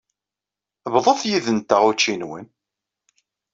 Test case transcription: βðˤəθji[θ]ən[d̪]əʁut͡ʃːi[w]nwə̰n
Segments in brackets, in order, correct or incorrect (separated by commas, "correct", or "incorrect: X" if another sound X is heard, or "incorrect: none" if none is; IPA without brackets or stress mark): incorrect: ð, incorrect: t̪, incorrect: none